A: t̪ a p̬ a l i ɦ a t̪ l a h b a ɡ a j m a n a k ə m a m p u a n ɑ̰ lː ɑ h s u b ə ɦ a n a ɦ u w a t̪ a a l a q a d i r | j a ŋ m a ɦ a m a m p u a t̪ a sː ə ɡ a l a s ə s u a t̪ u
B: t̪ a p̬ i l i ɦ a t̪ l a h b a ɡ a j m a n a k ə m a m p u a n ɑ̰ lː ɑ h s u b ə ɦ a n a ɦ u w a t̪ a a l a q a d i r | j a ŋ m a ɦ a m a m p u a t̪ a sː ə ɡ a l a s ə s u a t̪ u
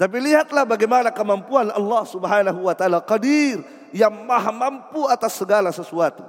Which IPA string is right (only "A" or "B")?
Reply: B